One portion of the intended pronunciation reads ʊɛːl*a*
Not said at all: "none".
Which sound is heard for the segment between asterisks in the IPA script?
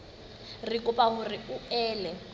ɛ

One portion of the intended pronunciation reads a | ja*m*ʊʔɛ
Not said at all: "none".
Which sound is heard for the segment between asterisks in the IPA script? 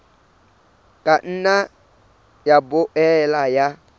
b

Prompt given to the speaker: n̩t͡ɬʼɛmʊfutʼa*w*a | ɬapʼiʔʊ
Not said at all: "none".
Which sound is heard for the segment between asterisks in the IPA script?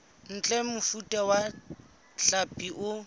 w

